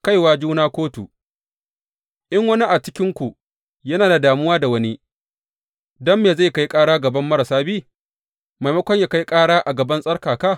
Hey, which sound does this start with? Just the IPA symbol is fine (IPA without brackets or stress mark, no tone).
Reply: k